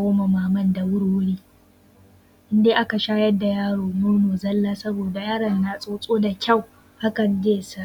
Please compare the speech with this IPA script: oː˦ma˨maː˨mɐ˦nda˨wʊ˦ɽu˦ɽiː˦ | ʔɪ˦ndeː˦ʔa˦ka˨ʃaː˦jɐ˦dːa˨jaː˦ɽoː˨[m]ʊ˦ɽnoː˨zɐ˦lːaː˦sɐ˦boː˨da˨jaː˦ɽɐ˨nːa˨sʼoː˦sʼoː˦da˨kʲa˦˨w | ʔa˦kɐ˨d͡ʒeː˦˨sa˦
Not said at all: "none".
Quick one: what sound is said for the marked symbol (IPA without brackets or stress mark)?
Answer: m